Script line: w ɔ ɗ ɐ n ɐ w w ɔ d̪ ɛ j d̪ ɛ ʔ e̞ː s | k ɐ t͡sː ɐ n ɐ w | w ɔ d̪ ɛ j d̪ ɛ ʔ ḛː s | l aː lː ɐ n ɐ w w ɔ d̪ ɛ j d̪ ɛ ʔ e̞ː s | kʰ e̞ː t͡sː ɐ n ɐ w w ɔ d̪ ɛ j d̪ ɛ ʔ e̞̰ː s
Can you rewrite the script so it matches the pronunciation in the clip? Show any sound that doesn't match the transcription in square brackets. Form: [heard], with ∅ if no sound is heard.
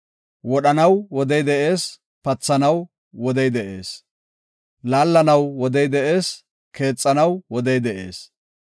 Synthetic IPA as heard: w ɔ ɗ ɐ n ɐ w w ɔ d̪ ɛ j d̪ ɛ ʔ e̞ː s | [p] ɐ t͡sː ɐ n ɐ w | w ɔ d̪ ɛ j d̪ ɛ ʔ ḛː s | l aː lː ɐ n ɐ w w ɔ d̪ ɛ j d̪ ɛ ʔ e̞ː s | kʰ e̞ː [t͡sʼː] ɐ n ɐ w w ɔ d̪ ɛ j d̪ ɛ ʔ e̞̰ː s